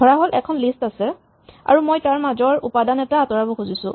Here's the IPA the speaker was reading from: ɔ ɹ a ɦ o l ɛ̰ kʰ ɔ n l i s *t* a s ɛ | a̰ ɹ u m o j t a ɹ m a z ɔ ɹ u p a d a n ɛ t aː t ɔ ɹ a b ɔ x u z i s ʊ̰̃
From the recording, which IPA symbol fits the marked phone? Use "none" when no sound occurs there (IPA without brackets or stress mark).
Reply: t